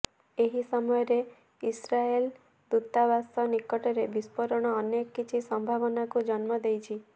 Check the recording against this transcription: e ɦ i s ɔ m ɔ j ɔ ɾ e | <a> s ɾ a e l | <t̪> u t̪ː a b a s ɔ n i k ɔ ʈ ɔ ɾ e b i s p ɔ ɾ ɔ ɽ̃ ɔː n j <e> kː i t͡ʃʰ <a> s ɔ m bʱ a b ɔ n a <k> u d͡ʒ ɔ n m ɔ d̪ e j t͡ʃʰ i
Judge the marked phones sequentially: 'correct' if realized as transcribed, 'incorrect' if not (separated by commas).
incorrect, incorrect, correct, incorrect, correct